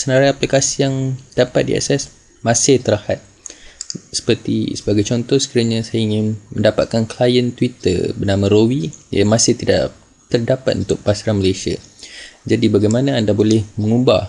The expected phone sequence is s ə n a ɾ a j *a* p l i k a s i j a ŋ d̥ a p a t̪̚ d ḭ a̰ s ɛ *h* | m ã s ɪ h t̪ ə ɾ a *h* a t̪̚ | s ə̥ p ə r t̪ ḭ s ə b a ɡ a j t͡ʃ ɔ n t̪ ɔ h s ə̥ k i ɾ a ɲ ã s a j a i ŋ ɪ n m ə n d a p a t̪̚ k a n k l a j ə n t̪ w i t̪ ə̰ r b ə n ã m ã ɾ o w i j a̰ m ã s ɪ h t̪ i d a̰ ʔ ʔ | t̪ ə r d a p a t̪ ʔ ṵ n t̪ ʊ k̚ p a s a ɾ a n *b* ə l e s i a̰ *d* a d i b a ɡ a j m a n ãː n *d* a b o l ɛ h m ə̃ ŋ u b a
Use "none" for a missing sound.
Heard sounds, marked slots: a, s, h, m, d͡ʒ, d

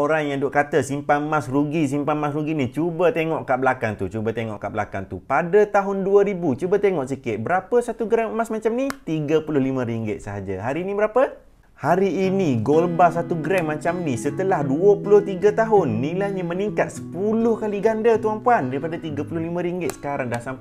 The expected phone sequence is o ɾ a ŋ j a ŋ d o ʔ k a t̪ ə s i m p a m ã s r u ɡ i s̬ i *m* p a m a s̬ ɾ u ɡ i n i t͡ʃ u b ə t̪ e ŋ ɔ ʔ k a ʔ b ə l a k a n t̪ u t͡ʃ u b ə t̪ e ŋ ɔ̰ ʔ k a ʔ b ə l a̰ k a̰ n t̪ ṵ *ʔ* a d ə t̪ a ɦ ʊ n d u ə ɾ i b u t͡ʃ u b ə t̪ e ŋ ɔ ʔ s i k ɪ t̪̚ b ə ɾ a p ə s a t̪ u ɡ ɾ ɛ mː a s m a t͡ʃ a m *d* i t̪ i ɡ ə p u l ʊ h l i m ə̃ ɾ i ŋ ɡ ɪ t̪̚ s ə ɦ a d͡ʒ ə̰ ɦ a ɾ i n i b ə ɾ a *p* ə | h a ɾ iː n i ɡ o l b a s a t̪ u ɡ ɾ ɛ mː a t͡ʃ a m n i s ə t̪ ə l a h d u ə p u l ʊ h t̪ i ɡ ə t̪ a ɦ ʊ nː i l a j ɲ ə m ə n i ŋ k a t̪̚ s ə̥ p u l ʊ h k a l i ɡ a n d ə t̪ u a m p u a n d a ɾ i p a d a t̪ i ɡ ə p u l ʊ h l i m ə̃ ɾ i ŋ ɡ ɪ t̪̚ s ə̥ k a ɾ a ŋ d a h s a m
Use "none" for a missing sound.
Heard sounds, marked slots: m, p, n, p

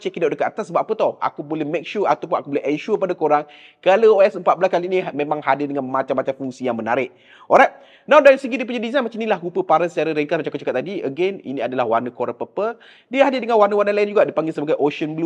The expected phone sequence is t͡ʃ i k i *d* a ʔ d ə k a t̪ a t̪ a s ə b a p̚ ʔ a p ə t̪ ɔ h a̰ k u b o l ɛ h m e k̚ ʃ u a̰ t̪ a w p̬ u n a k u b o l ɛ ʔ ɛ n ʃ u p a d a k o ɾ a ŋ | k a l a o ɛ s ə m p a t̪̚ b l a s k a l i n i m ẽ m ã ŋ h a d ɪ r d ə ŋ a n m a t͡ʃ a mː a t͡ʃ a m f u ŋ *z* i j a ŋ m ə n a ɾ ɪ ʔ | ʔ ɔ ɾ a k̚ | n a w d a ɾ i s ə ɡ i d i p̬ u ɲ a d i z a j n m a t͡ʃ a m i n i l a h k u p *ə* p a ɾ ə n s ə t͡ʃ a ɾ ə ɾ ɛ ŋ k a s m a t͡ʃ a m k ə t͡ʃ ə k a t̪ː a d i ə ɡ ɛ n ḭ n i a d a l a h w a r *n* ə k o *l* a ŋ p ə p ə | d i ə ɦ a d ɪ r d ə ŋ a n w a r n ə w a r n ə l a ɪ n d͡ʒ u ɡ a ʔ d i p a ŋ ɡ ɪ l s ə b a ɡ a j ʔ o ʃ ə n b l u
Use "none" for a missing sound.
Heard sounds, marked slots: d, s, ə, n, ɾ

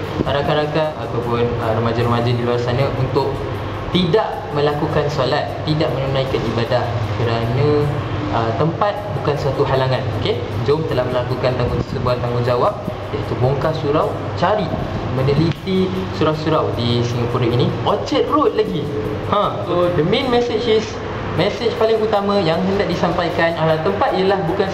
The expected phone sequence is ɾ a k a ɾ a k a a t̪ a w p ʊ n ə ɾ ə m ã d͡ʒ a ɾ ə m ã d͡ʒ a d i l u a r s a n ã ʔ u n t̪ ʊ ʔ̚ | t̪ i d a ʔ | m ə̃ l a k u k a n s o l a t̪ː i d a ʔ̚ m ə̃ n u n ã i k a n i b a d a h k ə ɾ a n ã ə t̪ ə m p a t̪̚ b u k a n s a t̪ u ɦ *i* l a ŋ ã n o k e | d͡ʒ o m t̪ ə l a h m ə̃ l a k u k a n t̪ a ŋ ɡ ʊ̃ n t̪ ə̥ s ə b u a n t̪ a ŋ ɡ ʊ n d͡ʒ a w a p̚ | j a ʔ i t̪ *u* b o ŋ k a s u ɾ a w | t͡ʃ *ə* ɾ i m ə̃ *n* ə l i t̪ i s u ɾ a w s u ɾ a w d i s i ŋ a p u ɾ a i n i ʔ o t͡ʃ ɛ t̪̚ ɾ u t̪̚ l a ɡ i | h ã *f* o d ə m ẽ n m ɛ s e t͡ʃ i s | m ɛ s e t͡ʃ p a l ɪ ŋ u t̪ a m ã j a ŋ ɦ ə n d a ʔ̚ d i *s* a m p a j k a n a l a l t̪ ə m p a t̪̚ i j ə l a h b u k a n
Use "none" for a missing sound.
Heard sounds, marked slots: a, u, a, n, s, s

